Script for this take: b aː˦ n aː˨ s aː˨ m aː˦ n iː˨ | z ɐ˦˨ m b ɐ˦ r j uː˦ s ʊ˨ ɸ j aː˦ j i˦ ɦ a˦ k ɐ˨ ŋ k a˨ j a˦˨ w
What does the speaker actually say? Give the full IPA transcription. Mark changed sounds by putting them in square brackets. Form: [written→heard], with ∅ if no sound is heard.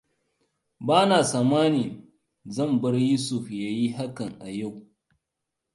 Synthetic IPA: b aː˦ n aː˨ s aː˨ m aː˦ n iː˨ | z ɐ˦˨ m b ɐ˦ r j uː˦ s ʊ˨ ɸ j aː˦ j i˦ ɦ a˦ k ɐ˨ ŋ [k→ʔ] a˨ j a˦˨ w